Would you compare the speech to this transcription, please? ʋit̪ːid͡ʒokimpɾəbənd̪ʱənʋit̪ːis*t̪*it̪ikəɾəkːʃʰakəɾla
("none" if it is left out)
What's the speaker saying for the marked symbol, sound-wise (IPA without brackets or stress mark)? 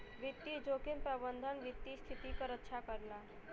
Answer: t̪ʰ